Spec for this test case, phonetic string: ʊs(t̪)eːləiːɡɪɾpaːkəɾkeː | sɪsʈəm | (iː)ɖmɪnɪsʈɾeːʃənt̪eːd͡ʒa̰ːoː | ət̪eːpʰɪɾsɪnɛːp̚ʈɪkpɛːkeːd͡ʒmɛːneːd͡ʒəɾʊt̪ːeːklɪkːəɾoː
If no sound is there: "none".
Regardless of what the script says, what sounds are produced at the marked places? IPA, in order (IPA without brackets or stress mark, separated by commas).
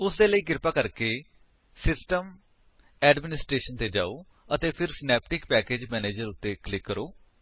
d̪, ɛː